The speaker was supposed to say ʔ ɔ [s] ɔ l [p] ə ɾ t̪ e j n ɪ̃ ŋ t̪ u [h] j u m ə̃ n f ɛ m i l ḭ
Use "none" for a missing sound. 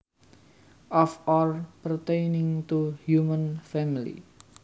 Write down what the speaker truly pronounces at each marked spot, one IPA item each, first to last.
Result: f, p, h

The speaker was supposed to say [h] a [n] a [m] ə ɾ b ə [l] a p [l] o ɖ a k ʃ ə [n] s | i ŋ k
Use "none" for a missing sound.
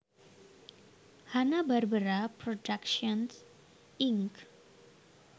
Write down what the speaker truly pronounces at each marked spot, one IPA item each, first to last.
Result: h, n, b, ɾ, ɾ, n

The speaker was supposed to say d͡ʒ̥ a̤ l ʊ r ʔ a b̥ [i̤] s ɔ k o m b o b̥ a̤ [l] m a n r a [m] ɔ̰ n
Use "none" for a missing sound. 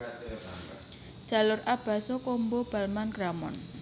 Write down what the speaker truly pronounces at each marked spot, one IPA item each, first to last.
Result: a̤, l, m

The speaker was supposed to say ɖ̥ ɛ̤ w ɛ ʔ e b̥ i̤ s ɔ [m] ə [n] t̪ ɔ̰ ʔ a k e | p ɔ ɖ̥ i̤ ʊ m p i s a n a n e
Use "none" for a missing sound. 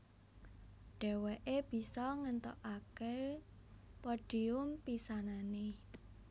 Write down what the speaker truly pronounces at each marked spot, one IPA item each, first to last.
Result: ŋ, n

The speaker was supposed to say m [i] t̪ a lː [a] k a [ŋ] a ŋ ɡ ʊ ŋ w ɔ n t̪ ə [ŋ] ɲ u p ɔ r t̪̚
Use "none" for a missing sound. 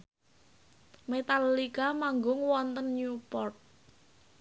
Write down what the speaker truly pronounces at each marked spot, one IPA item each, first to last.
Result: e, i, m, n

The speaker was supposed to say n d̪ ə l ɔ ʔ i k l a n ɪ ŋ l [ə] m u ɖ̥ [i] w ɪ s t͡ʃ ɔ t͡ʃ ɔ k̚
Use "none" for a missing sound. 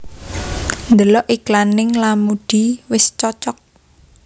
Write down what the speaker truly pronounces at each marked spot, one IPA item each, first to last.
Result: a, i

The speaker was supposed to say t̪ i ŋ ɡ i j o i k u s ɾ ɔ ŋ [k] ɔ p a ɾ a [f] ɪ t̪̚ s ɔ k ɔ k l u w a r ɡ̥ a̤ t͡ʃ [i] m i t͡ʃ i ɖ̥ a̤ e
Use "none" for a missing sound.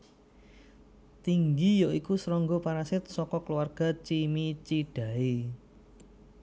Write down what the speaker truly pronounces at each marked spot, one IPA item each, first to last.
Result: ɡ, s, i

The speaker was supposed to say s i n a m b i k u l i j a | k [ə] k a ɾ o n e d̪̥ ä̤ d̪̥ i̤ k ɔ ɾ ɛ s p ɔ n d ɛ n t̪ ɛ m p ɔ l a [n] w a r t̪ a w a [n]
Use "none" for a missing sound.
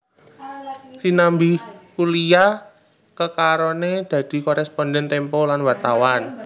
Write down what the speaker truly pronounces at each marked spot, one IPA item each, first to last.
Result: ə, n, n

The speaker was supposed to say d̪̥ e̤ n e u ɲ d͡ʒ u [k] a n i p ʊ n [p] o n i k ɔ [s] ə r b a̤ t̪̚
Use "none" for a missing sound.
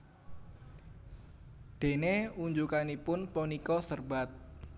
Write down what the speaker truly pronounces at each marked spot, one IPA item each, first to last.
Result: k, p, s

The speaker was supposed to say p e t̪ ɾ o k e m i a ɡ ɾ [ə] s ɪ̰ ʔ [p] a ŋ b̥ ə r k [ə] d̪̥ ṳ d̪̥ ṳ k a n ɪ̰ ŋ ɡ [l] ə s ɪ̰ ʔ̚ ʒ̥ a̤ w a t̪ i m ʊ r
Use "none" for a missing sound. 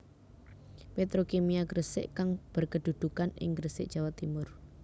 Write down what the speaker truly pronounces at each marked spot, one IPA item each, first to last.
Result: ə, k, ə, ɾ

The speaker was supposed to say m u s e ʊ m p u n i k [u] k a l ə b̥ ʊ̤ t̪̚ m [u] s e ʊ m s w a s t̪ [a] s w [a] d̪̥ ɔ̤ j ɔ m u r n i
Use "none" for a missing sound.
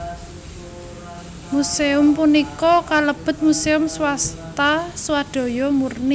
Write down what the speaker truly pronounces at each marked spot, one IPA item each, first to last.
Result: ɔ, u, a, a

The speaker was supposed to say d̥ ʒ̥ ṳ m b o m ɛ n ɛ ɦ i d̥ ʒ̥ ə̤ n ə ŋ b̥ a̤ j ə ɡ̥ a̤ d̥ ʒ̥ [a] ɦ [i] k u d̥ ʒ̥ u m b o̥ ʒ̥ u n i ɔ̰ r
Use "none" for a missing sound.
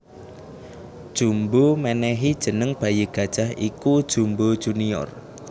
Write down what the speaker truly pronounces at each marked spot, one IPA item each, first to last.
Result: a, i

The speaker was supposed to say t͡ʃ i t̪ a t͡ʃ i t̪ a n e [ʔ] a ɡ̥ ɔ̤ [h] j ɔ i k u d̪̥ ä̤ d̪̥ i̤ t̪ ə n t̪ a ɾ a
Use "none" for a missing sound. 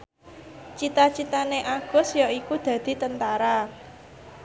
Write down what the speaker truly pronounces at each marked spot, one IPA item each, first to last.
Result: ʔ, s

